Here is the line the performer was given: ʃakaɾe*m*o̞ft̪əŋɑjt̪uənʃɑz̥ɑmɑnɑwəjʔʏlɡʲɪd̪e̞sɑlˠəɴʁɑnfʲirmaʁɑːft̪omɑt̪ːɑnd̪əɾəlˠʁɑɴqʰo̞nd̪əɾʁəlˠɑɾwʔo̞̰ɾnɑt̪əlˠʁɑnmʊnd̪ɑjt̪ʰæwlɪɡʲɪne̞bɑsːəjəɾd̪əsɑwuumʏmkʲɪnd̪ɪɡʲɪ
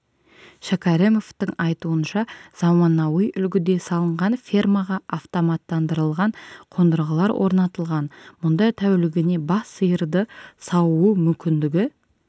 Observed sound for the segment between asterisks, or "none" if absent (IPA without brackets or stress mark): m